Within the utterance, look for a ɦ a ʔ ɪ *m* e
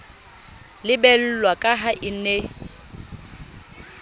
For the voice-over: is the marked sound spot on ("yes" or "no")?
no